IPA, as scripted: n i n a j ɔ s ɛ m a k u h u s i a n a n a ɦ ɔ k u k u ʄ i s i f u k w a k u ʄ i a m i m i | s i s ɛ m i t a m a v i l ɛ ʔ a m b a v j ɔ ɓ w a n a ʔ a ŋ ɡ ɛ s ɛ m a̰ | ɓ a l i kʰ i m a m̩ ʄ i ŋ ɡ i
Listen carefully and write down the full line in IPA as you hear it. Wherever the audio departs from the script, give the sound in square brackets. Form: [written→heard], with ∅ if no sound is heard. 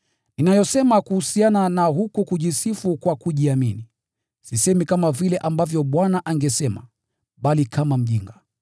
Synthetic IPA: n i n a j ɔ s ɛ m a k u h u s i a n a n a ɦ [ɔ→u] k u k u ʄ i s i f u k w a k u ʄ i a m i [m→n] i | s i s ɛ m i [t→k] a m a v i l ɛ ʔ a m b a v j ɔ ɓ w a n a ʔ a ŋ ɡ ɛ s ɛ m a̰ | ɓ a l i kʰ [i→a] m a m̩ ʄ i ŋ ɡ [i→a]